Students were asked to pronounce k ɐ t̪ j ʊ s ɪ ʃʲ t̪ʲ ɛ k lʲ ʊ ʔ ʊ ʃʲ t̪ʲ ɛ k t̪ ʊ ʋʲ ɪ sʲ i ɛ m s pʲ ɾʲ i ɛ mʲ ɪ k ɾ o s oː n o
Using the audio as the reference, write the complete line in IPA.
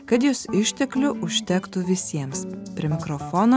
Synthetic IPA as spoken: k ɐ t̪ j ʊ s ɪ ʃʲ t̪ʲ ɛ k lʲ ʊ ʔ ʊ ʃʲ t̪ʲ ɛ k t̪ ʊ ʋʲ ɪ sʲ i ɛ m s pʲ ɾʲ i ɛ mʲ ɪ k ɾ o f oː n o

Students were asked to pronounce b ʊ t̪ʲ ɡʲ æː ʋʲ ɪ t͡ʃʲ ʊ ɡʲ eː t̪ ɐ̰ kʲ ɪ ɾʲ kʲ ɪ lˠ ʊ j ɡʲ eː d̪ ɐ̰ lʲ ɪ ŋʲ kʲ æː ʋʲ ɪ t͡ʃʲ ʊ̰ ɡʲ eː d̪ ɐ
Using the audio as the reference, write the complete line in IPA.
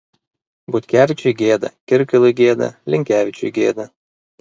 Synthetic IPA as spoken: b ʊ t̪ʲ kʲ æː ʋʲ ɪ t͡ʃʲ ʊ ɡʲ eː d̪ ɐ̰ kʲ ɪ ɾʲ kʲ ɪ lˠ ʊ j ɡʲ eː d̪ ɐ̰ lʲ ɪ ŋʲ kʲ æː ʋʲ ɪ t͡ʃʲ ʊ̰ ɡʲ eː d̪ ɐ

